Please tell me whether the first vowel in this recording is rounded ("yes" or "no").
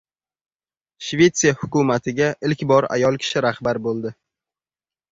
no